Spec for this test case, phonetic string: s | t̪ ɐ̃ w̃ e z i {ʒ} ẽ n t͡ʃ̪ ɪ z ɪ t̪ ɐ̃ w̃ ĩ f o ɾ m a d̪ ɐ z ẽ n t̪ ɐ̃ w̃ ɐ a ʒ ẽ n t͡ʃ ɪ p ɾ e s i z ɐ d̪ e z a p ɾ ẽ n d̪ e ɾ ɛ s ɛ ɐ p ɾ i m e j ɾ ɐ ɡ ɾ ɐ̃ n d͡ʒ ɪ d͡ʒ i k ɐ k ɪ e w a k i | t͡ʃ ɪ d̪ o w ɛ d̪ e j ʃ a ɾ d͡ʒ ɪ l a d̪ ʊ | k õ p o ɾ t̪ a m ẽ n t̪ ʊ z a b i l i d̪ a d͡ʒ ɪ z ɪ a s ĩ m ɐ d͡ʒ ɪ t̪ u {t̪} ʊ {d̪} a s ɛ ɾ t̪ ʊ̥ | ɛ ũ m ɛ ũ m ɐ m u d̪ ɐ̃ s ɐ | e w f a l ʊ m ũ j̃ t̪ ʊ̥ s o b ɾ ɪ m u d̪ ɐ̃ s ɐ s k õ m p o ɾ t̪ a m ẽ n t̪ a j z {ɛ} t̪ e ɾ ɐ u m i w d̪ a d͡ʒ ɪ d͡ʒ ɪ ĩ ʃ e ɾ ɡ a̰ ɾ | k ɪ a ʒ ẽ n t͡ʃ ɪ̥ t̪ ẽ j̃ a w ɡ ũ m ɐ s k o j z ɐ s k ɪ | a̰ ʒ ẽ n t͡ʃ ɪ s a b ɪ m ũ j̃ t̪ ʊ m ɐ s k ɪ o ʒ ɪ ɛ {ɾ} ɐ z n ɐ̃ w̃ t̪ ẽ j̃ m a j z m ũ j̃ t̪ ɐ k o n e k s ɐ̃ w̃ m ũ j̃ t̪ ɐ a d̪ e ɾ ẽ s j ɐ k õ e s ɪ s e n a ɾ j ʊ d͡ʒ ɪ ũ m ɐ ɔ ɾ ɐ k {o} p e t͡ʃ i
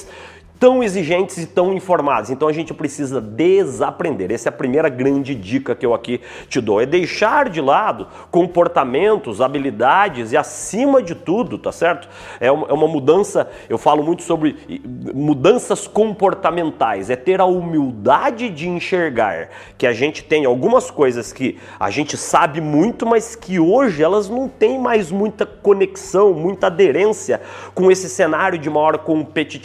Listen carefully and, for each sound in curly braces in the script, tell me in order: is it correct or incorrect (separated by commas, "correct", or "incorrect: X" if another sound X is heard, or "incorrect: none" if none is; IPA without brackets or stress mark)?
correct, incorrect: d̪, incorrect: t̪, correct, incorrect: l, incorrect: õ